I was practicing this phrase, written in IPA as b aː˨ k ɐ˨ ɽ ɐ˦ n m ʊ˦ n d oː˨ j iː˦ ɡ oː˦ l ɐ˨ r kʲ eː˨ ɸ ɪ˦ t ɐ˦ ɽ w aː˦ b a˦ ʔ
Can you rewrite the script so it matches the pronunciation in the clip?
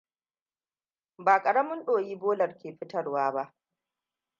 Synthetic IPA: b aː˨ kʼ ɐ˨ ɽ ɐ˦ m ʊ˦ n ɗ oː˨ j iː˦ b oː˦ l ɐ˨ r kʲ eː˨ ɸ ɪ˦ t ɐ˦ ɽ w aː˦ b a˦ ʔ